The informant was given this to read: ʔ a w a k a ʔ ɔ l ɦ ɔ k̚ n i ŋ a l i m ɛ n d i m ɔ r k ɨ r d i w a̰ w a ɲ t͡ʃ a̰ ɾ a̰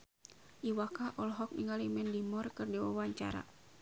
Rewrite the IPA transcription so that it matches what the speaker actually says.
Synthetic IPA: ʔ i w a k a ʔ ɔ l ɦ ɔ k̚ n i ŋ a l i m ɛ n d i m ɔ r k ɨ r d i w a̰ w a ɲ t͡ʃ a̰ ɾ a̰